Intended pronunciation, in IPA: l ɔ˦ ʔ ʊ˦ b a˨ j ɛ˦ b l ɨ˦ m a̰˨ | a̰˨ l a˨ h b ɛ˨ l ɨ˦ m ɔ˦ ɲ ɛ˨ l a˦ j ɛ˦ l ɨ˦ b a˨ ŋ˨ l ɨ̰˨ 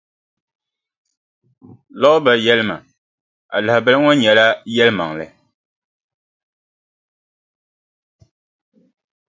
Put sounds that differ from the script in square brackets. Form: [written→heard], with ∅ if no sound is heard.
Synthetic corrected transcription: l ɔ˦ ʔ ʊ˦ b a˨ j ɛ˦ [b→∅] l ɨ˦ m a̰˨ | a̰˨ l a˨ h b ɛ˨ l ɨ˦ [m→ŋ] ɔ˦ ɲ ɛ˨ l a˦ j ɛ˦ l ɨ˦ [b→m] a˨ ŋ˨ l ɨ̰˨